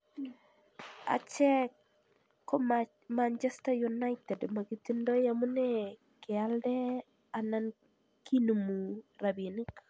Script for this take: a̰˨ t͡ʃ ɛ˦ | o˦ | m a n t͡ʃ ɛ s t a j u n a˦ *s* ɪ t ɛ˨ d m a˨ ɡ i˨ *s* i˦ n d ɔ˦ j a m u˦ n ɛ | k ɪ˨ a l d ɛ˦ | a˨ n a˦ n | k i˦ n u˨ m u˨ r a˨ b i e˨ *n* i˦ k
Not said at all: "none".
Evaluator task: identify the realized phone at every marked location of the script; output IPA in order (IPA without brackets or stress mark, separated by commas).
none, t, n